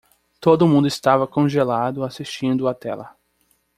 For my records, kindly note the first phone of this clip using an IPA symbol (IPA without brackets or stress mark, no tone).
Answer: t̪